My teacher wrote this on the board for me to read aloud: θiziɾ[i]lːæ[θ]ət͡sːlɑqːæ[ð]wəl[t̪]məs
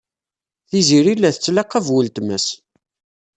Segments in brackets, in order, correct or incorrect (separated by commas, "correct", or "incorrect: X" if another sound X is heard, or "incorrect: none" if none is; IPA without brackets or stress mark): correct, correct, incorrect: v, correct